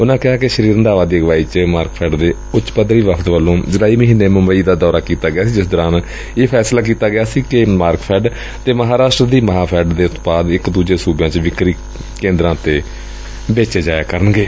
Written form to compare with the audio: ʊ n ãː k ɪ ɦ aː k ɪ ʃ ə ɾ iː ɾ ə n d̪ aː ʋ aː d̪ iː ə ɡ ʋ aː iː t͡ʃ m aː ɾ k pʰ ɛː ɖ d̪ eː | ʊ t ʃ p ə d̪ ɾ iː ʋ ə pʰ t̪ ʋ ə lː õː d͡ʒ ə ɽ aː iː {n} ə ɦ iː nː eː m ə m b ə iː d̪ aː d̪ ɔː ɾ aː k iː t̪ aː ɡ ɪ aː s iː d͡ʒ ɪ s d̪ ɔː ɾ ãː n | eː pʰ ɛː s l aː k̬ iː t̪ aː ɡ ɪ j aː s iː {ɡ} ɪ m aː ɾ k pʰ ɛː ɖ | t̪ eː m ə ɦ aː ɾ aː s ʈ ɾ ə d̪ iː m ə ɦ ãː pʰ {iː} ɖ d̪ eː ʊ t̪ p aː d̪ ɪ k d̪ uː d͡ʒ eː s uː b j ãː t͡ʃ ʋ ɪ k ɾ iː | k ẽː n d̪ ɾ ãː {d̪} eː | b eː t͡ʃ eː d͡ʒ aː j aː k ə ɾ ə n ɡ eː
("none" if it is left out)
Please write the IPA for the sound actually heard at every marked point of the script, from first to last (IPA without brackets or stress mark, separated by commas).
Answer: m, k, ɛː, t̪